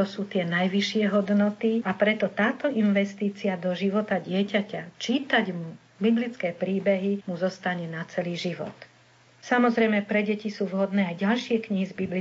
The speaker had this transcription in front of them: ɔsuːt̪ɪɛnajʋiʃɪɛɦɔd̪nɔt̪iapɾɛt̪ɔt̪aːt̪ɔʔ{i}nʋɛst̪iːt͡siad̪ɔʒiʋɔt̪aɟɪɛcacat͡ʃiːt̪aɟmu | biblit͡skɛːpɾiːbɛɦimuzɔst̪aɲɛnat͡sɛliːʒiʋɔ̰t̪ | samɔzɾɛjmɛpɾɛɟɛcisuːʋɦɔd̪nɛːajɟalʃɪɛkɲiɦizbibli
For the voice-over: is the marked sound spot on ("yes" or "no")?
yes